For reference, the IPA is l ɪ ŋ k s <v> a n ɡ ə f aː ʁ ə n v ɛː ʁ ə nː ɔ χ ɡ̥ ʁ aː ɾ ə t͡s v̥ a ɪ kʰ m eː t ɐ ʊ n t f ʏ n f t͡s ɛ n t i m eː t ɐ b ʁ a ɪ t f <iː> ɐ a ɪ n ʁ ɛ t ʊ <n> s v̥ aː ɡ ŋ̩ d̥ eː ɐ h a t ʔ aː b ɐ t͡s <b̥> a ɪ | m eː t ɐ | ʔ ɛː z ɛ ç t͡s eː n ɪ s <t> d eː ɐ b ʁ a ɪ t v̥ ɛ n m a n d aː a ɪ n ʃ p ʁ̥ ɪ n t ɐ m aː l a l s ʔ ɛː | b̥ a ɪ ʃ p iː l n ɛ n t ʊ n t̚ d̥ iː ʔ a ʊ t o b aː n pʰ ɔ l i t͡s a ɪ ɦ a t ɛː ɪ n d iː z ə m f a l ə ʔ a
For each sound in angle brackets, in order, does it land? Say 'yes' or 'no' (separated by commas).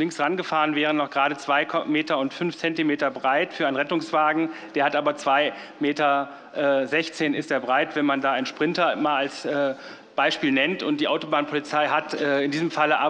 no, no, no, no, yes